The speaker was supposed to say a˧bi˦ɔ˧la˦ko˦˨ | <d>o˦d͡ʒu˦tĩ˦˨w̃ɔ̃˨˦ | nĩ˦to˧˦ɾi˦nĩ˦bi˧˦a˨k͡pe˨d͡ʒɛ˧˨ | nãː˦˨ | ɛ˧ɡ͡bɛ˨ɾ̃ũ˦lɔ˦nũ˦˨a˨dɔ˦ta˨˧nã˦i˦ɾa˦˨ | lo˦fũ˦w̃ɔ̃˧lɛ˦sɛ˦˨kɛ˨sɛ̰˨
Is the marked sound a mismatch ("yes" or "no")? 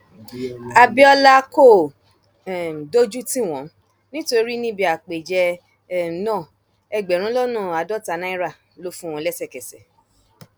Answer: no